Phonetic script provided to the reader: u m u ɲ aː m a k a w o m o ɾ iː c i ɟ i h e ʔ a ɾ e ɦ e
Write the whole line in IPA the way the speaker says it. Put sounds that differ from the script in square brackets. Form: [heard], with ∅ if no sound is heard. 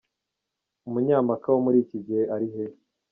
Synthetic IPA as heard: u m u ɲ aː m a k a w o m [u] ɾ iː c i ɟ i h e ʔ a ɾ [i] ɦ e